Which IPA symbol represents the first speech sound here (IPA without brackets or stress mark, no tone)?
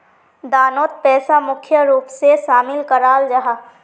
d̪